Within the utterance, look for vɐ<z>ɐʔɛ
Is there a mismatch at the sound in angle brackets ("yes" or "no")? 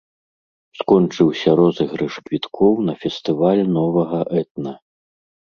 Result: yes